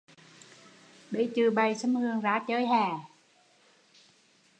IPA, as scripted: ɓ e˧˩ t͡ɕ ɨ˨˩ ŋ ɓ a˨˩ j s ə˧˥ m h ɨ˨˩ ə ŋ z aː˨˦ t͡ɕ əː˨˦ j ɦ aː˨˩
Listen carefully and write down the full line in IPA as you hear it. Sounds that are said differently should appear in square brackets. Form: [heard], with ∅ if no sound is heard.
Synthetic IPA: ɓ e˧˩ t͡ɕ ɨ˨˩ [∅] ɓ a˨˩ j s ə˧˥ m h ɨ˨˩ ə ŋ z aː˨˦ t͡ɕ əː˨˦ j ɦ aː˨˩